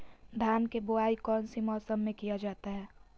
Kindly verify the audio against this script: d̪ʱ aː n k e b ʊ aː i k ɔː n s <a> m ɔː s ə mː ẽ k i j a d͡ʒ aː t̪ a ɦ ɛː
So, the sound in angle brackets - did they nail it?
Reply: no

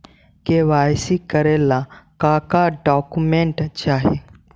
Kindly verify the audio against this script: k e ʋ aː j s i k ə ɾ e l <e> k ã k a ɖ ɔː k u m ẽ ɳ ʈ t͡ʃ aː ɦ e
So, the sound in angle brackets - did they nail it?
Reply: no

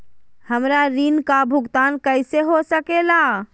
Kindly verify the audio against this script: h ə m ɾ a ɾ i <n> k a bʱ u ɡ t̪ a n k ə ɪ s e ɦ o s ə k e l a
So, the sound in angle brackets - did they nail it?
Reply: yes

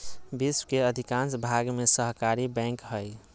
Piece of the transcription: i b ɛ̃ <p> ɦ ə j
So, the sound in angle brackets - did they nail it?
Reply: no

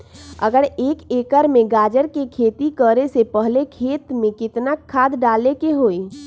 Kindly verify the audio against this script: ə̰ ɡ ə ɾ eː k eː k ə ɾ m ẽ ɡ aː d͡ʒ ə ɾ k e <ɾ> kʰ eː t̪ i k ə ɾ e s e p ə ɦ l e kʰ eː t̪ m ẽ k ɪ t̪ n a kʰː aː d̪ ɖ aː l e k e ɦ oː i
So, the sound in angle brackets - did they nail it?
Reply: no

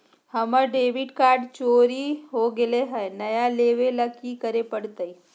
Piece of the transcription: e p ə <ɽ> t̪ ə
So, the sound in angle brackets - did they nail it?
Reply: yes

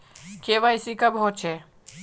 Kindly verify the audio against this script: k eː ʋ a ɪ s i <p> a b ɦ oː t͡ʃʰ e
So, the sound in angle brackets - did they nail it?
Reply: no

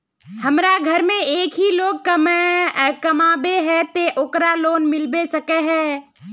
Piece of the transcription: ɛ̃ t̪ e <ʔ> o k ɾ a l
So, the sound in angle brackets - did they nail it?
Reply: yes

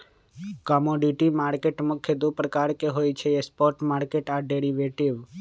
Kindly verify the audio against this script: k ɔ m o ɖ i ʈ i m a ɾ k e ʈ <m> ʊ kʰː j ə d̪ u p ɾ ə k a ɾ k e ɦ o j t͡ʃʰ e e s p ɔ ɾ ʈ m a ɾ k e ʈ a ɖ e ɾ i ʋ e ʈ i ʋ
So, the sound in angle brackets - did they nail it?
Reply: yes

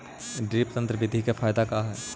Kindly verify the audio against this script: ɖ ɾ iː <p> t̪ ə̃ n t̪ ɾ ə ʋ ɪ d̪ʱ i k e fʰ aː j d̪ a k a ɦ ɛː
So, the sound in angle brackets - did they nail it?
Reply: yes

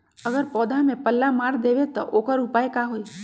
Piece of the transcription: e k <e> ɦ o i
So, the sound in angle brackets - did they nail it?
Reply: no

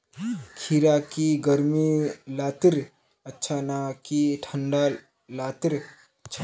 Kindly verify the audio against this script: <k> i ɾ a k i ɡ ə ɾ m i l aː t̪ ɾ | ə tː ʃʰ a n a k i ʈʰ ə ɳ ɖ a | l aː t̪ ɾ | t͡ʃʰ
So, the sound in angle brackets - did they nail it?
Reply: no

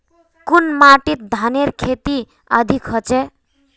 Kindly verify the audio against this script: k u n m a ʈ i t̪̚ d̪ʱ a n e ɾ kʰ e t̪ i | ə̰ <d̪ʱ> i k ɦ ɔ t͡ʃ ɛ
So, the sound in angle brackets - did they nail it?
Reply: yes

